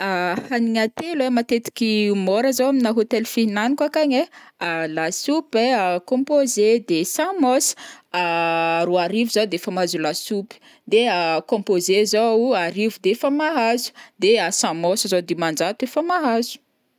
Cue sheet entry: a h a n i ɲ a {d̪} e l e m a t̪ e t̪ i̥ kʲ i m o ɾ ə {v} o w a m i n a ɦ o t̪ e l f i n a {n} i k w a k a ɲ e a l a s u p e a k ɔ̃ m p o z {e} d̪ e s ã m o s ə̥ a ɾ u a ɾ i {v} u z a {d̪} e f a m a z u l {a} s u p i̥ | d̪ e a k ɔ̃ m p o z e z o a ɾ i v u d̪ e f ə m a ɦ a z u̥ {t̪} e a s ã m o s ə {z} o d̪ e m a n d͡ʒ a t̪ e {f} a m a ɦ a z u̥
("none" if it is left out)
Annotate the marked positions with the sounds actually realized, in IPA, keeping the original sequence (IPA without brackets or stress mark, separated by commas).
t̪, z, n, e, v, d̪, a, d̪, z, f